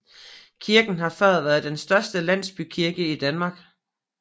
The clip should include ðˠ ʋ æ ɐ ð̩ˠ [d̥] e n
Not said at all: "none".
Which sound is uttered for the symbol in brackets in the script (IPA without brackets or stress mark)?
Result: d̥